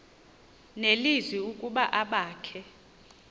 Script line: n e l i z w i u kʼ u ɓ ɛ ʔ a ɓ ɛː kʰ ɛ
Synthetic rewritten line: n e l i z w i u kʼ u ɓ a ʔ a ɓ aː kʰ ɛ